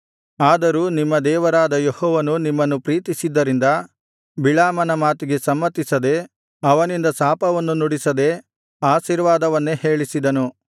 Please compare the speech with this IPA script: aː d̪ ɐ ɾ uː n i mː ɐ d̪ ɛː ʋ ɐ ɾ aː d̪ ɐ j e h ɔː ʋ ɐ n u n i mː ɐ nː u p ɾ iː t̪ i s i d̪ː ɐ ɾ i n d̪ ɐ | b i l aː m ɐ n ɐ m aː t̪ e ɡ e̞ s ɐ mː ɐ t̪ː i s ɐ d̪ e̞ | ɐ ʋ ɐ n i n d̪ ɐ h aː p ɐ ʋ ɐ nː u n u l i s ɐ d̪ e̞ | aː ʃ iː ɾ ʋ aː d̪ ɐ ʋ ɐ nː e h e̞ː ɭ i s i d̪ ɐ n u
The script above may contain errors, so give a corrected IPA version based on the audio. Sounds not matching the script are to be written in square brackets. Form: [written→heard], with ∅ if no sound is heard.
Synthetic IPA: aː d̪ ɐ ɾ uː n i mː ɐ d̪ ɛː ʋ ɐ ɾ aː d̪ ɐ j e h ɔː ʋ ɐ n u n i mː ɐ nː u p ɾ iː t̪ i s i d̪ː ɐ ɾ i n d̪ ɐ | b i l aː m ɐ n ɐ m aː t̪ [e→i] ɡ e̞ s ɐ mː ɐ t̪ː i s ɐ d̪ e̞ | ɐ ʋ ɐ n i n d̪ ɐ [h→s] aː p ɐ ʋ ɐ nː u n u [l→ɽ] i s ɐ d̪ e̞ | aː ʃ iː ɾ ʋ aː d̪ ɐ ʋ ɐ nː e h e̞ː ɭ i s i d̪ ɐ n u